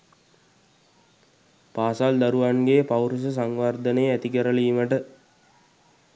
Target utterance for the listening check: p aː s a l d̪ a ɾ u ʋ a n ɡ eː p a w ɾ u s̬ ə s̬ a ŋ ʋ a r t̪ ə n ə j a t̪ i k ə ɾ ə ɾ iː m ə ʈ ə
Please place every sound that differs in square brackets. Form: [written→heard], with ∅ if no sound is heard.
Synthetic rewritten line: p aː s a l d̪ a ɾ u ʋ a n ɡ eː p a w ɾ u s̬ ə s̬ a ŋ ʋ a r [t̪→d̪] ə n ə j [a→æ] t̪ i k ə ɾ ə [ɾ→l] iː m ə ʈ ə

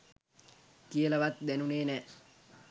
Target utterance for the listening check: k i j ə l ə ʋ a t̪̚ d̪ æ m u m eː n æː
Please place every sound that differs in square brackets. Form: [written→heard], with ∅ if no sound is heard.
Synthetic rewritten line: k i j ə l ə ʋ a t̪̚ d̪ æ [m→n] u [m→n] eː n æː

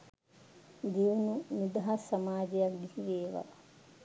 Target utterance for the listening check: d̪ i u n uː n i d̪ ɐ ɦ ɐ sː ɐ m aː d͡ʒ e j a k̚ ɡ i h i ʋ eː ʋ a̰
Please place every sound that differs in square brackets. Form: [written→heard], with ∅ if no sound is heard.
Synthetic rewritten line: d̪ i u n [uː→u] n i d̪ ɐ ɦ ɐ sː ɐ m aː d͡ʒ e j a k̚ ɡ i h i ʋ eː ʋ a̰

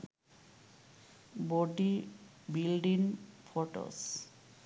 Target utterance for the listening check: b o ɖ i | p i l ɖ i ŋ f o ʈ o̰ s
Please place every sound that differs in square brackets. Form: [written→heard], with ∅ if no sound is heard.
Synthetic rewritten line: b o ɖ i | [p→b] i l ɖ i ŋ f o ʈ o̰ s

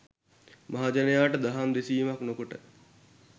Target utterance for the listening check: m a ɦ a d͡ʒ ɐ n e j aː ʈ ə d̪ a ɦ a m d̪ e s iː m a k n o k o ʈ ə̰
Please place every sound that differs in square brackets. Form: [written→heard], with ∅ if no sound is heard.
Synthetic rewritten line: m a ɦ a d͡ʒ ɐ n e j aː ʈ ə d̪ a ɦ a m d̪ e s iː m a k n o k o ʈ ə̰

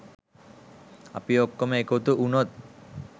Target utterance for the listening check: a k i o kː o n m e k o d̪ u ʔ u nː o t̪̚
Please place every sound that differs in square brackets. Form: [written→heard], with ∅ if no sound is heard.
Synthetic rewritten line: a [k→p] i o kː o [n→∅] m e k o [d̪→t̪] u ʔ u [nː→n] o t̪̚

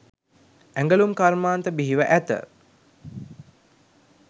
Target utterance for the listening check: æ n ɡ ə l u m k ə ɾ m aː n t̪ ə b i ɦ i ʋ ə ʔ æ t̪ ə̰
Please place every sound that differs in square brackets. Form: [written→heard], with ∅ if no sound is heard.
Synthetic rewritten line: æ [n→ŋ] ɡ ə l u m k [ə→a] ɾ m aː n t̪ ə b i ɦ i ʋ ə ʔ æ t̪ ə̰

